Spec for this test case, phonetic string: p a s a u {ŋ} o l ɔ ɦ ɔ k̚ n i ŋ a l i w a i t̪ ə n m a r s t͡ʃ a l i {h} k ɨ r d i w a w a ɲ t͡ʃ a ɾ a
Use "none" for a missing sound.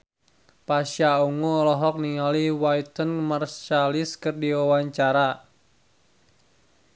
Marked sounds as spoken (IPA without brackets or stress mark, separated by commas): ŋ, s